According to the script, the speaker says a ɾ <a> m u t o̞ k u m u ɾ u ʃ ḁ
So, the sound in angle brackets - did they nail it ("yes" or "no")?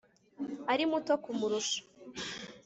no